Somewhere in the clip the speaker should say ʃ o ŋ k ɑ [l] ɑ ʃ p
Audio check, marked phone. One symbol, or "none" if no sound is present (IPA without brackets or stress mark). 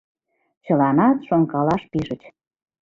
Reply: l